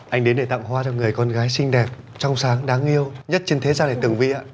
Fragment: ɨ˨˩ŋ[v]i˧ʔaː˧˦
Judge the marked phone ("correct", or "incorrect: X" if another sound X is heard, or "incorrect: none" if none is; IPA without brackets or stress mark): correct